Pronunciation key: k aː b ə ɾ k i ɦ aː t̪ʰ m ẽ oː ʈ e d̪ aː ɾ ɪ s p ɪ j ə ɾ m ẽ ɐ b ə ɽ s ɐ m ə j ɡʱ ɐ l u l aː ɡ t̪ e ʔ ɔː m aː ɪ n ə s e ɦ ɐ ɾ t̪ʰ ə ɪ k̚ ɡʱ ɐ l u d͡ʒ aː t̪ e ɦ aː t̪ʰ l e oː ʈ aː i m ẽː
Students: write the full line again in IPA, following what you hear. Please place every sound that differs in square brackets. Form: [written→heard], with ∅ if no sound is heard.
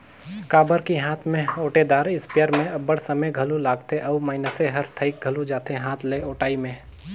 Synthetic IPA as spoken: k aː b ə ɾ k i ɦ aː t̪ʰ m ẽ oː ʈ e d̪ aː ɾ ɪ s p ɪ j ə ɾ m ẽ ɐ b ə ɽ s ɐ m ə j ɡʱ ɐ l u l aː ɡ t̪ e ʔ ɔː m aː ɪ n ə s e ɦ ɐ ɾ t̪ʰ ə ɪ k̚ ɡʱ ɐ l u d͡ʒ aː t̪ e ɦ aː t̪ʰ l e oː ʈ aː i m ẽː